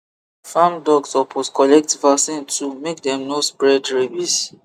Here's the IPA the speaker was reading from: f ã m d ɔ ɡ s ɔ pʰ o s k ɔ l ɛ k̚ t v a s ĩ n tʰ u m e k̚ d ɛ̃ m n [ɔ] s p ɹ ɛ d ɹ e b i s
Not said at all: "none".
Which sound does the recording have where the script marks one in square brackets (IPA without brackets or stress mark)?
o